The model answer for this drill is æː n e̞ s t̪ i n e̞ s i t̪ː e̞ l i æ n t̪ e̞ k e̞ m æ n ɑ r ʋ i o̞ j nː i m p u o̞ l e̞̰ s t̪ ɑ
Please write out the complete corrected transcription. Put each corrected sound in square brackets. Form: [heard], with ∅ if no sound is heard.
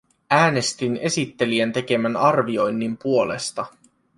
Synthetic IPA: æː n e̞ s t̪ i n e̞ s i t̪ː e̞ l i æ n t̪ e̞ k e̞ m æ n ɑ r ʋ i o̞ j nː i m p u o̞ l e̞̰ s t̪ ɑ